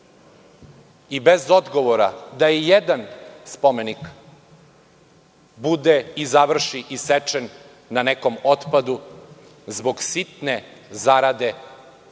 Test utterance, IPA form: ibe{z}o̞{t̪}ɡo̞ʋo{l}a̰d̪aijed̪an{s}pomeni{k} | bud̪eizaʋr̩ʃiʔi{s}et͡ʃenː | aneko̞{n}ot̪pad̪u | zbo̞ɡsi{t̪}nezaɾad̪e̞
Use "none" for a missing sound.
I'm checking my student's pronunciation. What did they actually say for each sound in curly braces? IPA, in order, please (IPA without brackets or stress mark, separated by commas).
z, d̪, ɾ, s, k, s, m, t̪